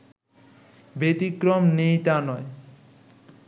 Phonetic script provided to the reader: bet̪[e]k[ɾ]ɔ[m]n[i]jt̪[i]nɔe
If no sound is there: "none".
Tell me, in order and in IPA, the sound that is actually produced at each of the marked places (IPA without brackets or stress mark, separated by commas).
i, ɾ, m, e, a